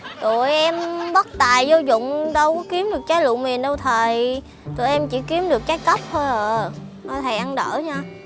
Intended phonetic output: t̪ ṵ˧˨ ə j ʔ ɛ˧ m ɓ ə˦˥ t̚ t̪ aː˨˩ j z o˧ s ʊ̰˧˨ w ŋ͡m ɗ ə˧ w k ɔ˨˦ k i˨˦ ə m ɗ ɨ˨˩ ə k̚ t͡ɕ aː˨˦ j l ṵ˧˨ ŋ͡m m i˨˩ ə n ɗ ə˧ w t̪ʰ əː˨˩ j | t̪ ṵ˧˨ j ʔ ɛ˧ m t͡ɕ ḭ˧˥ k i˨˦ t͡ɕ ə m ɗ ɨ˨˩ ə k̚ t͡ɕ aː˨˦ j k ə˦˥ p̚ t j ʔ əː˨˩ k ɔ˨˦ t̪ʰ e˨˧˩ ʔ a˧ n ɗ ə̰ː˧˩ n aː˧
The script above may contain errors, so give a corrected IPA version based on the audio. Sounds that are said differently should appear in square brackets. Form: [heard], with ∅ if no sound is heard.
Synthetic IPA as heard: t̪ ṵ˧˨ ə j ʔ ɛ˧ m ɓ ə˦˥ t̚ t̪ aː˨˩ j z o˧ [z] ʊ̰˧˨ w ŋ͡m ɗ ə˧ w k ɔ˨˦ k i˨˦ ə m ɗ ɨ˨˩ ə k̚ t͡ɕ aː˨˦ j l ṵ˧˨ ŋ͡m m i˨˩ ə n ɗ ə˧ w t̪ʰ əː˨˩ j | t̪ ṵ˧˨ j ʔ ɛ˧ m t͡ɕ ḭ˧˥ k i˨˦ [∅] ə m ɗ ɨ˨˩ ə k̚ t͡ɕ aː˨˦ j k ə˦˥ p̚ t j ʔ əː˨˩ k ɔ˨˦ t̪ʰ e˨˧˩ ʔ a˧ n ɗ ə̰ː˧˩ [ɲ] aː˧

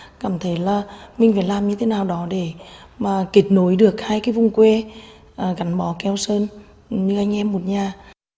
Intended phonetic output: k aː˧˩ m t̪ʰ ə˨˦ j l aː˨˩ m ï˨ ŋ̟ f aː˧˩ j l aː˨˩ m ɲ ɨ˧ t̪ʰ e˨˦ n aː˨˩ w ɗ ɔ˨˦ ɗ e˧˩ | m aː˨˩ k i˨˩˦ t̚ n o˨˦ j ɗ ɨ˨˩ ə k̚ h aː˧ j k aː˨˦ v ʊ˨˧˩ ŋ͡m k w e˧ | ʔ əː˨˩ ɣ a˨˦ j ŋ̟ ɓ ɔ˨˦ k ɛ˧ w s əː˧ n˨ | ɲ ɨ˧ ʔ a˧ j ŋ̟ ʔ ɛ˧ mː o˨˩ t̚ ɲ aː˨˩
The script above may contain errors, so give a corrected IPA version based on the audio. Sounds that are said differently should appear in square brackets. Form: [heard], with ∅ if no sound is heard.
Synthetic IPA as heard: k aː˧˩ m t̪ʰ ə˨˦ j l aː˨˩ m ï˨ ŋ̟ f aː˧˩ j l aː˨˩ m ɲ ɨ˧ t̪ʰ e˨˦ n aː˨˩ w ɗ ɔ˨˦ ɗ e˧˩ | m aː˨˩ k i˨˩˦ t̚ n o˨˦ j ɗ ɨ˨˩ ə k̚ h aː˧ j k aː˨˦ v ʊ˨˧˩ ŋ͡m k w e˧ | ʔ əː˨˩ ɣ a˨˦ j ŋ̟ ɓ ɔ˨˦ k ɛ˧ w s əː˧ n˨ | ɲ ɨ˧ ʔ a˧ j ŋ̟ ʔ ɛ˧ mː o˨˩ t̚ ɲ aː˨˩

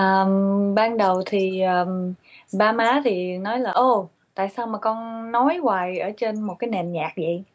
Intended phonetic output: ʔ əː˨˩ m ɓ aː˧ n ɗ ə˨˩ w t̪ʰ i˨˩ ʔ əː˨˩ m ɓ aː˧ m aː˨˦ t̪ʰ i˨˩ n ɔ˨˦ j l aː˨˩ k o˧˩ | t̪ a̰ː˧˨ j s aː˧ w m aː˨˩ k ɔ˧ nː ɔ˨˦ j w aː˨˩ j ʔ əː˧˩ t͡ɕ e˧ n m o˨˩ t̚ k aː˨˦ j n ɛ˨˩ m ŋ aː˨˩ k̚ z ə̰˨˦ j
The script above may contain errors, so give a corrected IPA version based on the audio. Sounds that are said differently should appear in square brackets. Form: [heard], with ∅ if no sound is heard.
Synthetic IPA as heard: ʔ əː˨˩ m ɓ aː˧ n ɗ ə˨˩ w t̪ʰ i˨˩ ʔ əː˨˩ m ɓ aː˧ m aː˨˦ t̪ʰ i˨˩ n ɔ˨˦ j l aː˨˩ [ʔ] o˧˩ | t̪ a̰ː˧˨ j s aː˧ w m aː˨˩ k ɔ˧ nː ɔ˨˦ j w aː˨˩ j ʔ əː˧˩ t͡ɕ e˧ n m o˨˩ t̚ k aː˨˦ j n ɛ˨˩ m [ɲ] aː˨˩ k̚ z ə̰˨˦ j

